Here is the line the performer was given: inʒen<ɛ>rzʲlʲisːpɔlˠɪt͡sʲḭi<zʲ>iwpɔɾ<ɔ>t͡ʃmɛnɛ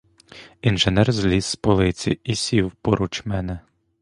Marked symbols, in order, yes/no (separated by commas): yes, no, no